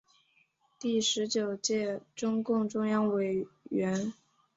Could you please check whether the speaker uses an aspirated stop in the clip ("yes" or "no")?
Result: no